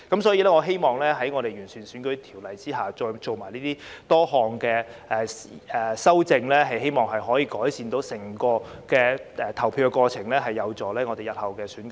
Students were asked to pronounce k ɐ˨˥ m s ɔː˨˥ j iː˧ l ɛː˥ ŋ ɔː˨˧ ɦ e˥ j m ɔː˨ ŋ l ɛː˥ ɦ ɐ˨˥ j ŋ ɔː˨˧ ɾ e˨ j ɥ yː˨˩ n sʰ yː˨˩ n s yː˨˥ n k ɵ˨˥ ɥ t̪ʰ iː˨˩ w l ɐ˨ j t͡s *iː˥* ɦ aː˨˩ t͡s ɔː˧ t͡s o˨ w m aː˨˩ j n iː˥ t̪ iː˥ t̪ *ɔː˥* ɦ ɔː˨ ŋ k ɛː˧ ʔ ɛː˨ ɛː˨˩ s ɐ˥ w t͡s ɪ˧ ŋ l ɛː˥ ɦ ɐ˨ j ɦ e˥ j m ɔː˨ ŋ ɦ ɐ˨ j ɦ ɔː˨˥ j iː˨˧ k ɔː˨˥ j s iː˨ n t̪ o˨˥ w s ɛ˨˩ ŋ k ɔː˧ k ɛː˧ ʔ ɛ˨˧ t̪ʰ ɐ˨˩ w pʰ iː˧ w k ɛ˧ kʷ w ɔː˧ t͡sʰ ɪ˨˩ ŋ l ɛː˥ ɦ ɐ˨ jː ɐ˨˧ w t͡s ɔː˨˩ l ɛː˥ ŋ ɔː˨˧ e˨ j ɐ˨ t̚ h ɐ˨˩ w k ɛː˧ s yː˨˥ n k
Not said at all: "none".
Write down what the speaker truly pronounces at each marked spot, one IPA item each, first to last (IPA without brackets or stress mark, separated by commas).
iː˥, ɔː˥